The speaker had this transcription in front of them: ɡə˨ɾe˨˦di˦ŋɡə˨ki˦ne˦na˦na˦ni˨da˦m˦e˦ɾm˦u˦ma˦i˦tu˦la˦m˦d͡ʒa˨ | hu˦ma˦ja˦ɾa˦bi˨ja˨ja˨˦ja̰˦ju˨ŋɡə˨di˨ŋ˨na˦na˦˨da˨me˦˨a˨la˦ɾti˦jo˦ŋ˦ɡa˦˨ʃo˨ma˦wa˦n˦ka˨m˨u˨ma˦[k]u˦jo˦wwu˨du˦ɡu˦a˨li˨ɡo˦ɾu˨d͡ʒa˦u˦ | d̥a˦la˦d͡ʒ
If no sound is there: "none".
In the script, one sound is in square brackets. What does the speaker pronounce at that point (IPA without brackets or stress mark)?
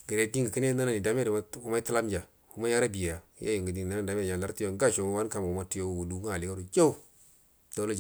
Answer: t